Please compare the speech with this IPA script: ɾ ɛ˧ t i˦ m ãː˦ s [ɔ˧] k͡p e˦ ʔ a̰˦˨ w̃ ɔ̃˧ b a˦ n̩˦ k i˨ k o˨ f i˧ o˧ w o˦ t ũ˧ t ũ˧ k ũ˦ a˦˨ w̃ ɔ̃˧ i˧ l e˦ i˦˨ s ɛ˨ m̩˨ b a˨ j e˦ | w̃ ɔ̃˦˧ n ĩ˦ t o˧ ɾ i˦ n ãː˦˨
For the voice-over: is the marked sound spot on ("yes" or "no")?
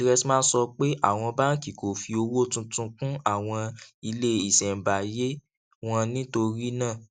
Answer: yes